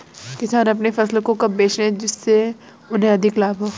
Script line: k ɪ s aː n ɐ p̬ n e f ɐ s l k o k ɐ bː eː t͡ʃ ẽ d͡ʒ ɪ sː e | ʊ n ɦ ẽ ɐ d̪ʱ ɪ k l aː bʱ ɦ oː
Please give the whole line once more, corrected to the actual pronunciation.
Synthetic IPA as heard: k ɪ s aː n ɐ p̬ n e f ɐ s l k o k ɐ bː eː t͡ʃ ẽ d͡ʒ ɪ sː e | ʊ n ɦ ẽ ɐ d̪ʱ ɪ k l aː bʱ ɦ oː